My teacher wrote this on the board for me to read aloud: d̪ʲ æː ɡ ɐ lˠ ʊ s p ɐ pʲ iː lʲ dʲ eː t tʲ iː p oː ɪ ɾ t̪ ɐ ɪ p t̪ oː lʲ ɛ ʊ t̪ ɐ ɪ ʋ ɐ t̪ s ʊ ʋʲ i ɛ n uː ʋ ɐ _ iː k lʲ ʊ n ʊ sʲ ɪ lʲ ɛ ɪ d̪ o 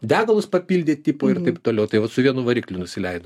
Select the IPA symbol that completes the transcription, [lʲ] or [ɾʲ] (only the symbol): ɾʲ